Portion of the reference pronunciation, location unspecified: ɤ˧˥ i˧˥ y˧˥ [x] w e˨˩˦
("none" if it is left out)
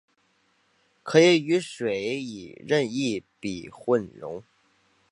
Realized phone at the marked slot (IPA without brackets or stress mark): ʂ